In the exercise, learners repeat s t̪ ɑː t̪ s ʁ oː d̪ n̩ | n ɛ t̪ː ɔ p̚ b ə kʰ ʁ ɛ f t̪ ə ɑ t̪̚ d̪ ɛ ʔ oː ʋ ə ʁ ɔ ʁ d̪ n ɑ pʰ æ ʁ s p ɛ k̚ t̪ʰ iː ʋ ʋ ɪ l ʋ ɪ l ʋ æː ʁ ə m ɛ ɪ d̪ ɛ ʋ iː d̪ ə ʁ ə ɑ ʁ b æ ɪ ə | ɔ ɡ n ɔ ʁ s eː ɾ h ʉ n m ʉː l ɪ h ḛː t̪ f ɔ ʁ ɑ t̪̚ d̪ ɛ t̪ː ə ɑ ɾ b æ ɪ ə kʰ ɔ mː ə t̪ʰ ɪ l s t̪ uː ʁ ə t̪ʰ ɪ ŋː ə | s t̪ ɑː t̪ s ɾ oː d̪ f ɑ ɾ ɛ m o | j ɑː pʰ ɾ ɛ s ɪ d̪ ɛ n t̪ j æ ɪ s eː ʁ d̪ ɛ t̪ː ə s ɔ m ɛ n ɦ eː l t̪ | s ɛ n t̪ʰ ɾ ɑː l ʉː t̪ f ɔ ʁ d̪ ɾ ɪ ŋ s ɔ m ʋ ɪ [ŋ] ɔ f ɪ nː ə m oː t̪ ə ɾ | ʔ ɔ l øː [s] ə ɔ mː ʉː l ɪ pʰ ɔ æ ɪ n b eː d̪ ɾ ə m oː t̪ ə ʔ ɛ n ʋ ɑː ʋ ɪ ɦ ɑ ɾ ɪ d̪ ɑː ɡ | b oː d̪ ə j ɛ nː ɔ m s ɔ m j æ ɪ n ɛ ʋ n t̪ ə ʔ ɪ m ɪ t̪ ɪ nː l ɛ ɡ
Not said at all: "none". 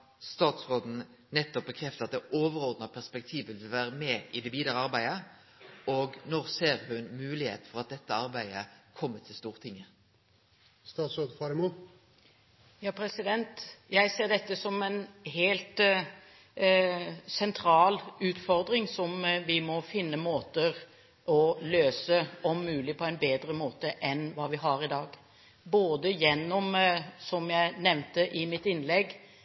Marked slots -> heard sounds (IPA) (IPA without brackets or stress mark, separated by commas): m, s